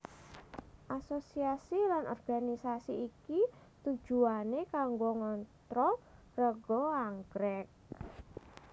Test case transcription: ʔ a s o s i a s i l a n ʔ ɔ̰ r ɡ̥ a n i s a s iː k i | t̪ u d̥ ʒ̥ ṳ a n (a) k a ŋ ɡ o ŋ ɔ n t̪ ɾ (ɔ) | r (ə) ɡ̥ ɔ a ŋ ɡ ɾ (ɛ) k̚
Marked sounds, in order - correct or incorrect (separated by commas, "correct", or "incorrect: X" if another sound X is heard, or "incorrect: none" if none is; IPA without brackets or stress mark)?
incorrect: e, correct, correct, correct